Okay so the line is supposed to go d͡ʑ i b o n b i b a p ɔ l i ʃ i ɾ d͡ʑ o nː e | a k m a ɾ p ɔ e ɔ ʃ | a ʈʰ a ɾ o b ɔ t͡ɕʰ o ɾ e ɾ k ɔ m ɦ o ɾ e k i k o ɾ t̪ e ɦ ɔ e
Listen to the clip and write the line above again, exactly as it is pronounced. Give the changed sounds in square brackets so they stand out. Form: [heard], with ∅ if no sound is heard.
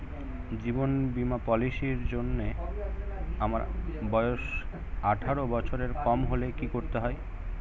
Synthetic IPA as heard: d͡ʑ i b o n b i [m] a p ɔ l i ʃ i ɾ d͡ʑ o nː e | a [∅] m a ɾ [b] ɔ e [o] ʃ | a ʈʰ a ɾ o b ɔ t͡ɕʰ o ɾ e ɾ k ɔ m ɦ o [l] e k i k o ɾ t̪ e ɦ ɔ e

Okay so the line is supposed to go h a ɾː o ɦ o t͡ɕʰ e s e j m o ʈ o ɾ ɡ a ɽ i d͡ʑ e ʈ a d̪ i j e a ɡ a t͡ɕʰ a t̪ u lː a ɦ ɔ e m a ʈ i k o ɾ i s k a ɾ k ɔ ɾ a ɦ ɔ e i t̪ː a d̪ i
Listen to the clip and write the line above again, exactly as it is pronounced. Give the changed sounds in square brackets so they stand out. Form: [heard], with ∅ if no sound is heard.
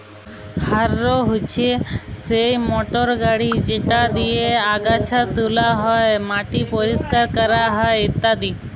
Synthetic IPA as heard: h a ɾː o ɦ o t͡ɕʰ e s e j m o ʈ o ɾ ɡ a ɽ i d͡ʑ e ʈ a d̪ i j e a ɡ a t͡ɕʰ a t̪ u [l] a ɦ ɔ e m a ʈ i [p] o ɾ i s k a ɾ k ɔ ɾ a ɦ ɔ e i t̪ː a d̪ i

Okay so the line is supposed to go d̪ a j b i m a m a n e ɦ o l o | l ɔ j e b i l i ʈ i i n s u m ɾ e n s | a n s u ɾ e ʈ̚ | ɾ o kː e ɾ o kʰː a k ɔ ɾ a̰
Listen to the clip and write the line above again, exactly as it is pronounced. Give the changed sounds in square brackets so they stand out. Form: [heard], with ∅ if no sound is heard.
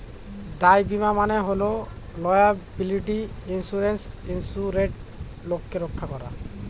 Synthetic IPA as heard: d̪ a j b i m a m a n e ɦ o l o | l ɔ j [a] b i l i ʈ i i n s u [∅] ɾ e n s | [i] n s u ɾ e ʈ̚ | [l] o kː e ɾ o kʰː a k ɔ ɾ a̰

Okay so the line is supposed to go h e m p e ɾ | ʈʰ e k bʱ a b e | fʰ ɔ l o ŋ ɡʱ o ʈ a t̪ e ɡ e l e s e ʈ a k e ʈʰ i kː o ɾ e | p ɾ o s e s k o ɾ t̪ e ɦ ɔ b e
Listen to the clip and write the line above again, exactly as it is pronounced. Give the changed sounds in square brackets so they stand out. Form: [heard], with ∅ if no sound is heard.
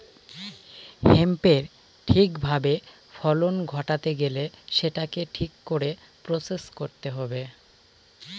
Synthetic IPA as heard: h e m p e ɾ | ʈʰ [i] k bʱ a b e | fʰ ɔ l o [n] ɡʱ [ɔ] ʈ a t̪ e ɡ e l e [ʃ] e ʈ a k e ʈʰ i kː o ɾ e | p ɾ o s e s k o ɾ t̪ e ɦ ɔ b e

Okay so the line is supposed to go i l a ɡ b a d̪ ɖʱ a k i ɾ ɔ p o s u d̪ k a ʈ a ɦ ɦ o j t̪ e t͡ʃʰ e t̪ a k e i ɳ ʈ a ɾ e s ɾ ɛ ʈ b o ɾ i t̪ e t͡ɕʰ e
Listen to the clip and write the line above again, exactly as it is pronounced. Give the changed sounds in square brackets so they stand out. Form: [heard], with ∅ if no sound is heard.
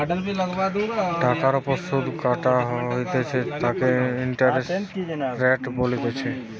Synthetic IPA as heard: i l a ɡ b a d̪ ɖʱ a k [a] ɾ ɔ p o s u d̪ k a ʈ a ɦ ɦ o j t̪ e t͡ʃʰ e t̪ a k e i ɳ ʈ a ɾ e s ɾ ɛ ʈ b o [l] i t̪ e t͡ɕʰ e

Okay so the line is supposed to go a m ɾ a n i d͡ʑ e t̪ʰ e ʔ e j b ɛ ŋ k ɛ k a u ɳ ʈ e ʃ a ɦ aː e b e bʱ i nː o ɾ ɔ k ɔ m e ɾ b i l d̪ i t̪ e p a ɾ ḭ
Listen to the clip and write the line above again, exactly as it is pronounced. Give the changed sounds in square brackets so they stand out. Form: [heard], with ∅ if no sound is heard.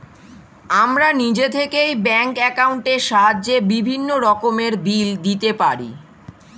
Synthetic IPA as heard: a m ɾ a n i d͡ʑ e t̪ʰ e [k] e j b ɛ ŋ k ɛ k a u ɳ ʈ e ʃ a ɦ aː e b [i] bʱ i nː o ɾ ɔ k [o] m e ɾ b i l d̪ i t̪ e p a ɾ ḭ

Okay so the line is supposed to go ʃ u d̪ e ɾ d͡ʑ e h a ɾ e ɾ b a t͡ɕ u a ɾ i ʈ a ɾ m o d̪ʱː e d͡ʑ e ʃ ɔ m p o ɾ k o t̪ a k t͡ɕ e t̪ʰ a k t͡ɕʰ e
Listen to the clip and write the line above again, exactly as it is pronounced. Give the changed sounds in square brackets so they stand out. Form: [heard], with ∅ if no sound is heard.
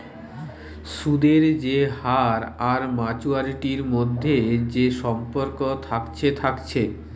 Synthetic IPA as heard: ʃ u d̪ e ɾ d͡ʑ e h a ɾ [a] ɾ [m] a t͡ɕ u a ɾ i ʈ [i] ɾ m o d̪ʱː e d͡ʑ e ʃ ɔ m p o ɾ k o [t̪ʰ] a k [t͡ɕʰ] e t̪ʰ a k t͡ɕʰ e

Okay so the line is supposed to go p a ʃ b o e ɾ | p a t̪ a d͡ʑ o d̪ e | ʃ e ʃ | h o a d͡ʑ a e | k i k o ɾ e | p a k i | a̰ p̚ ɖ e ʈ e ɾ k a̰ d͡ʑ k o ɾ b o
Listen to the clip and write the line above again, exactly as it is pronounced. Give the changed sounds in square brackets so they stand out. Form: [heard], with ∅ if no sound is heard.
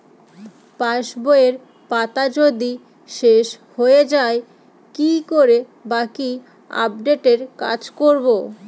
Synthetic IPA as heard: p a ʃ b o e ɾ | p a t̪ a d͡ʑ o d̪ [i] | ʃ e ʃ | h o [e] d͡ʑ a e | k i k o ɾ e | [b] a k i | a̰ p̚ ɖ e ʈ e ɾ k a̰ d͡ʑ k o ɾ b o

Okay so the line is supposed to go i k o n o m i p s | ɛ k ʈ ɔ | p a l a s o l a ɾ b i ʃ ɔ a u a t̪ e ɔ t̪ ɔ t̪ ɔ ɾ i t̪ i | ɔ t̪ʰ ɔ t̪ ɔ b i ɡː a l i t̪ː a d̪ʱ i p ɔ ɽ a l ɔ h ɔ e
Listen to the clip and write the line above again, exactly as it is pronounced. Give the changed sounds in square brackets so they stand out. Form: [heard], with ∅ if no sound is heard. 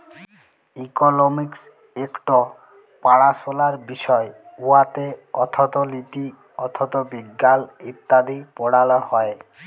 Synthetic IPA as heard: i k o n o m i [k] s | [e] k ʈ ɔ | p a [ɽ] a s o l a ɾ b i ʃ ɔ [e] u a t̪ e ɔ [t̪ʰ] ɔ t̪ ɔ [l] i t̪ i | ɔ t̪ʰ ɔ t̪ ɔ b i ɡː a l i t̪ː a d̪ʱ i p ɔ ɽ a l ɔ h ɔ e

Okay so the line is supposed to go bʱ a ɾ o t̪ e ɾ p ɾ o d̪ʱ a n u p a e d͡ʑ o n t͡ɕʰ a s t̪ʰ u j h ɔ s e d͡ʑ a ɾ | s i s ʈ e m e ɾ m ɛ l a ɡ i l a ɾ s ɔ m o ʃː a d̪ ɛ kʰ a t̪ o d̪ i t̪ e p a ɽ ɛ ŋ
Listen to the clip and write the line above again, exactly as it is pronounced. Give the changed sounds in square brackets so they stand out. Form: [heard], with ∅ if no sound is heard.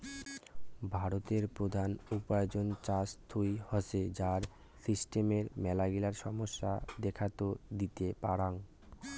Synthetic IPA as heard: bʱ a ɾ o t̪ e ɾ p ɾ o d̪ʱ a n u p a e d͡ʑ o n [t͡ɕ] a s t̪ʰ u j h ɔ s e d͡ʑ a ɾ | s i s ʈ e m e ɾ m ɛ l a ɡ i l a ɾ [ʃ] ɔ m o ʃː a d̪ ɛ kʰ a t̪ o d̪ i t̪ e p a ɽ [a] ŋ

